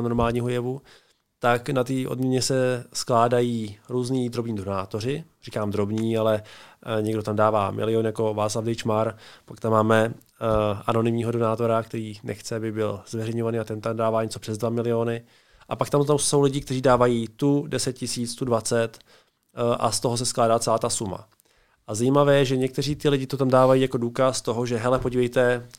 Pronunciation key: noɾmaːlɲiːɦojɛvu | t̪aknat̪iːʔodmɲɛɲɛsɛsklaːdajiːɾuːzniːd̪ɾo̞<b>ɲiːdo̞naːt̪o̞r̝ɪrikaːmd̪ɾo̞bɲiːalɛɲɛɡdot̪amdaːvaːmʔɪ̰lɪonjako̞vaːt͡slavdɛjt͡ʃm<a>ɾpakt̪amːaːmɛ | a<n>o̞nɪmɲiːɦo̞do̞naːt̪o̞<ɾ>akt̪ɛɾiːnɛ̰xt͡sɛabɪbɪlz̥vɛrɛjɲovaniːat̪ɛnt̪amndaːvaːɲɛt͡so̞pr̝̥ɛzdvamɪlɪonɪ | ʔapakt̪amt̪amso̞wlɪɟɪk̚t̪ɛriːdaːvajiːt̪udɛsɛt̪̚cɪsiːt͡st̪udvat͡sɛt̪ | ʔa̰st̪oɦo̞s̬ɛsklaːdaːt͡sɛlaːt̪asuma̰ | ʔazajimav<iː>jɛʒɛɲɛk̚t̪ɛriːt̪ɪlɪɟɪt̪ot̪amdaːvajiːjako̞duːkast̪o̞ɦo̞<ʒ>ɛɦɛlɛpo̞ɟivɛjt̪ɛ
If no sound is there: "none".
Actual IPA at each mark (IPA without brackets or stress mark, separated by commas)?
b, a, n, ɾ, ɛː, ʒ